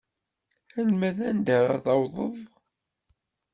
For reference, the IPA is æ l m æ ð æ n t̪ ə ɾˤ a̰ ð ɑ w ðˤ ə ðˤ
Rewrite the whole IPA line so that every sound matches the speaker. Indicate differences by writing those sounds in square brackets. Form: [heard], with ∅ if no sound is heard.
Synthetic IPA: æ l m æ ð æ n [d̪] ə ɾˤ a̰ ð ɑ w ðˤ ə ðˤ